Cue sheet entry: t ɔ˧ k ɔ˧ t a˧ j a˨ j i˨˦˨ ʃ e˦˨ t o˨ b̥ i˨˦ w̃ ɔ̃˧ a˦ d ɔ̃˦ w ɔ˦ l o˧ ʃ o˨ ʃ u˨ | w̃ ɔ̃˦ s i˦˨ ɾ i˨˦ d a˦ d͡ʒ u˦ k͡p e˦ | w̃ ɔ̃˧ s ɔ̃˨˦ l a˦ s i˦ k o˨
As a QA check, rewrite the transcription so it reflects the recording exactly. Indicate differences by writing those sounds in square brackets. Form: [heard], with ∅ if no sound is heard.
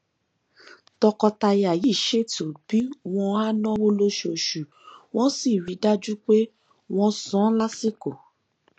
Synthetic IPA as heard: t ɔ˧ k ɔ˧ t a˧ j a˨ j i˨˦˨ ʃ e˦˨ t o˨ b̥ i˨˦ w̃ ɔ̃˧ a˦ [n] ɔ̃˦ w [o˦] l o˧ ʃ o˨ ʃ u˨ | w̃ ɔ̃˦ s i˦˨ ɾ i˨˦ d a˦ d͡ʒ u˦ k͡p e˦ | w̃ ɔ̃˧ s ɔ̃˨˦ l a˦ s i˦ k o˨